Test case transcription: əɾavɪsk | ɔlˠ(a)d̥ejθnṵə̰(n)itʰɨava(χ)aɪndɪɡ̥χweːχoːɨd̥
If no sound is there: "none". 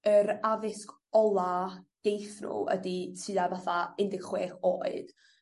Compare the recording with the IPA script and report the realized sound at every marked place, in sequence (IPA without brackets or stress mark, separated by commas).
a, d, θ